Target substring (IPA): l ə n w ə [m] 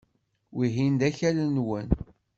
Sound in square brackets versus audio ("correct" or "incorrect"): incorrect